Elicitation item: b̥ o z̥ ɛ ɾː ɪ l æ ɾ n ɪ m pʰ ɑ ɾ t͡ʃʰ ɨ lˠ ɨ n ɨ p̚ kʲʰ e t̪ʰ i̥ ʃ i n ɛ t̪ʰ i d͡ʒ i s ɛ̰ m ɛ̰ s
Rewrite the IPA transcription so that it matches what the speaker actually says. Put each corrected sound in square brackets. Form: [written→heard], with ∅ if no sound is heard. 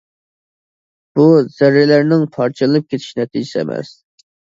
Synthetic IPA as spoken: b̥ [o→u] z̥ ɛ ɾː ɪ l æ ɾ n ɪ [m→ŋ] pʰ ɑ ɾ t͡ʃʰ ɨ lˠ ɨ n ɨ p̚ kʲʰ e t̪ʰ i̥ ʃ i n ɛ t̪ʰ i d͡ʒ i s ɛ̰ m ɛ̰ s